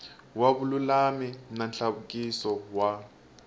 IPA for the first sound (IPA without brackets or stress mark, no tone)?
w